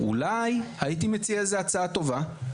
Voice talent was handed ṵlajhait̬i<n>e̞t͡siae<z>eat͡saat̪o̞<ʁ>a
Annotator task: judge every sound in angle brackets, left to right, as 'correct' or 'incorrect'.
incorrect, correct, incorrect

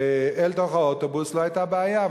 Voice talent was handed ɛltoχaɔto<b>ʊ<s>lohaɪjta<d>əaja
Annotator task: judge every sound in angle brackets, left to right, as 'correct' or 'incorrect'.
correct, correct, incorrect

